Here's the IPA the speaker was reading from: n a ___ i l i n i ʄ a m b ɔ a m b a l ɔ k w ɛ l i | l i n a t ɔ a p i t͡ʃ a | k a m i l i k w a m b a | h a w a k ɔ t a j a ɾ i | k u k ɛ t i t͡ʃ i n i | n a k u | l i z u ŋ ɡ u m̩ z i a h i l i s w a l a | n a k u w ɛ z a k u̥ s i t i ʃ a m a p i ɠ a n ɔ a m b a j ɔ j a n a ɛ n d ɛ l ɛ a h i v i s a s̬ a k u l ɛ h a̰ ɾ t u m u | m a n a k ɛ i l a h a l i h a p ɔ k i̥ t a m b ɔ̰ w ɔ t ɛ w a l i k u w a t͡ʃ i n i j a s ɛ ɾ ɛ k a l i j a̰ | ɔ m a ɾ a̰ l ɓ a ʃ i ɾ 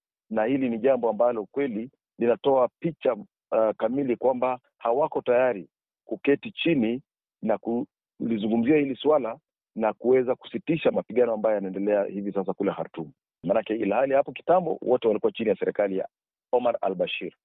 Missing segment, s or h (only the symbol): h